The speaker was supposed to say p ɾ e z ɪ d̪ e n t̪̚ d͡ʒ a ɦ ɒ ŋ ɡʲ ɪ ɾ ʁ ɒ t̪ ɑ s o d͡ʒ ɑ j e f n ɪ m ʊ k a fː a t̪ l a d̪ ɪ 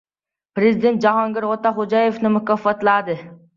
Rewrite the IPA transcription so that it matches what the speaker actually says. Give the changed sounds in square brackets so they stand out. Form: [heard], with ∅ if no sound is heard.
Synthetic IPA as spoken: p ɾ e z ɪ d̪ e n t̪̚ d͡ʒ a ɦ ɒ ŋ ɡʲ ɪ ɾ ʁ [o] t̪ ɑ [χ] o d͡ʒ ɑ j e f n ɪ m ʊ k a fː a t̪ l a d̪ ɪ